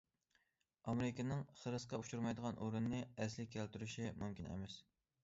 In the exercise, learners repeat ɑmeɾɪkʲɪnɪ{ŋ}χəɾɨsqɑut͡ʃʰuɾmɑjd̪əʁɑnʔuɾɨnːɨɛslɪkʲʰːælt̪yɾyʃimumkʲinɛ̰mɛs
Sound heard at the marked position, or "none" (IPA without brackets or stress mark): ŋ